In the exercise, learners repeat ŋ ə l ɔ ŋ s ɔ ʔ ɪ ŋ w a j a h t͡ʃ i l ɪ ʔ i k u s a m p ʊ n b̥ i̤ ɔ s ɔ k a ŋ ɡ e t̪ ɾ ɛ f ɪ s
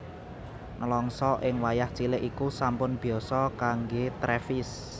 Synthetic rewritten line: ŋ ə l ɔ ŋ s ɔ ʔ ɪ ŋ w a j a h t͡ʃ i l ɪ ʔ i k u s a m p ʊ n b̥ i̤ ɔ s ɔ k a ŋ ɡ e t̪ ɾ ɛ f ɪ s